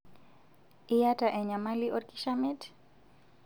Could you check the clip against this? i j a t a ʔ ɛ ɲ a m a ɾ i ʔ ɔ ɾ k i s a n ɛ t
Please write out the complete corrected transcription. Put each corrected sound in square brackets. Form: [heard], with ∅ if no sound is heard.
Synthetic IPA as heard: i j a t a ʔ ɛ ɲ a m a [l] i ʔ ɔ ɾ k i [ʃ] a [m] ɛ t